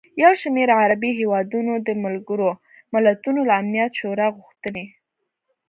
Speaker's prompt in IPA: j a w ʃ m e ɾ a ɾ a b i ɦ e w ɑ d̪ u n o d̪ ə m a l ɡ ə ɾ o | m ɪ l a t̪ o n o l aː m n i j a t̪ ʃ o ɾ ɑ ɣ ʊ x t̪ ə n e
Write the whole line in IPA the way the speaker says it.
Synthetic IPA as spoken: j a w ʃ m e ɾ a ɾ a b i ɦ e w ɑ d̪ u n o d̪ ə m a l ɡ ə ɾ o | m ɪ l a t̪ u n o l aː m n i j a t̪ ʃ o ɾ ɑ ɣ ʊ x t̪ ə n e